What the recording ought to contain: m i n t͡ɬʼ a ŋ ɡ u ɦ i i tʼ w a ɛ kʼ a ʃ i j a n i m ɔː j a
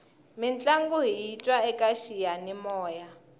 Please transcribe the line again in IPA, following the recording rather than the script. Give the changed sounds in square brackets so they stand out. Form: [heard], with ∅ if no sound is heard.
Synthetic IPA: m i n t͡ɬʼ a ŋ ɡ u ɦ i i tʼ w a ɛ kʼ a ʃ i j a n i m ɔː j a